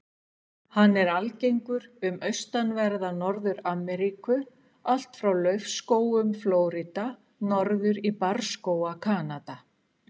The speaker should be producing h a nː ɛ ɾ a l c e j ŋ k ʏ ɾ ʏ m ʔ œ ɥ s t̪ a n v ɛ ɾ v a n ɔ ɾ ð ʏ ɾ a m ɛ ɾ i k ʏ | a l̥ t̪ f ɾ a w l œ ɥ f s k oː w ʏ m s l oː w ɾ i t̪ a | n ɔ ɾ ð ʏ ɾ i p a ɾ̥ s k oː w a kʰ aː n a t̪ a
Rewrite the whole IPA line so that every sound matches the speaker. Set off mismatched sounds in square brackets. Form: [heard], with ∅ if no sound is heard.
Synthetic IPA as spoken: h a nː ɛ ɾ a l c e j ŋ k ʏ ɾ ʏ m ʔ œ ɥ s t̪ a n v ɛ ɾ [ð] a n ɔ ɾ ð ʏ ɾ a m ɛ ɾ i k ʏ | a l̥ t̪ f ɾ a w l œ ɥ f s k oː w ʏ m [f] l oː w ɾ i t̪ a | n ɔ ɾ ð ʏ ɾ i p a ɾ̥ s k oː w a kʰ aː n a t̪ a